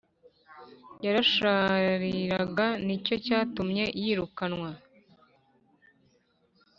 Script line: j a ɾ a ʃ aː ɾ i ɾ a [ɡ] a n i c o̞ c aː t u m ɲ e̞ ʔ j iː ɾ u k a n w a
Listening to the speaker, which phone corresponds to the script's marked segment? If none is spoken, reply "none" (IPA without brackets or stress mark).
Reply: ɡ